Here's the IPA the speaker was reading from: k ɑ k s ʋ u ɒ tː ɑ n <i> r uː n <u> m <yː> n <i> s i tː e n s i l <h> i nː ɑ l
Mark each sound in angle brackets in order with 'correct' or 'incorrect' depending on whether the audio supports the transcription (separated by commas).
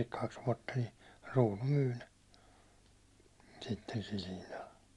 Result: correct, correct, correct, incorrect, correct